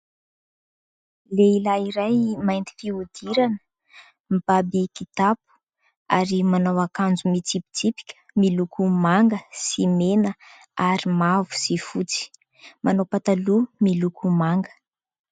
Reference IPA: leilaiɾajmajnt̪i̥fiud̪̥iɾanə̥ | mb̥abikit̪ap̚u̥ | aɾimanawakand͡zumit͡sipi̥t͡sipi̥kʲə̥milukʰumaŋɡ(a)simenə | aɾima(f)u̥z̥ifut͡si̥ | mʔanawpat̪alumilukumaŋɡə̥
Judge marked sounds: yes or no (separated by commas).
no, no